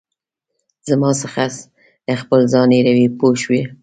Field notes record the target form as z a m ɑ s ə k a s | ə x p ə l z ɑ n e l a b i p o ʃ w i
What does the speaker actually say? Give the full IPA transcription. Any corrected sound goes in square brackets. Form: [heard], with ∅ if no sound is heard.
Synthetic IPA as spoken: z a m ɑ s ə [x] a s | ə x p ə l z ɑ n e [ɾ] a [w] i p o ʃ w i